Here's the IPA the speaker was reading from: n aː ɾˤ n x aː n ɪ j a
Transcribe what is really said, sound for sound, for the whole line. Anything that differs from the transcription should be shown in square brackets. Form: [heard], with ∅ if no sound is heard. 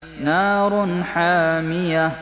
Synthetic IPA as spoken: n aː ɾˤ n [ħ] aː [m] ɪ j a